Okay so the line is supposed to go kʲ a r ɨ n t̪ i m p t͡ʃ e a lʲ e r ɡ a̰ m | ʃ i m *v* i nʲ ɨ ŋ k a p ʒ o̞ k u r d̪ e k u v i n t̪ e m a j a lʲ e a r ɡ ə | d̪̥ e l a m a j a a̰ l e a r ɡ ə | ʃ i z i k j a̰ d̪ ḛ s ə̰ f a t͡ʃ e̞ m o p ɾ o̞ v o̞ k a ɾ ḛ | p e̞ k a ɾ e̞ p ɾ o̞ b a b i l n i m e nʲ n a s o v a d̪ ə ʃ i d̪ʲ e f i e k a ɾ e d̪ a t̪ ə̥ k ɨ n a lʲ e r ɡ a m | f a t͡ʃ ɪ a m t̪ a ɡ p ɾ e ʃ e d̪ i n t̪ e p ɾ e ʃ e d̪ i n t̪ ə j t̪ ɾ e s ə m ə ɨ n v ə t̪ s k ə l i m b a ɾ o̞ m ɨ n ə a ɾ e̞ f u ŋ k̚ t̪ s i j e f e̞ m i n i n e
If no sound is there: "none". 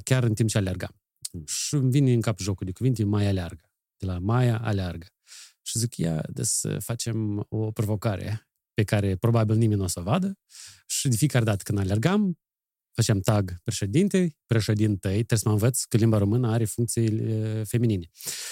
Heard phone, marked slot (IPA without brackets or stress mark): v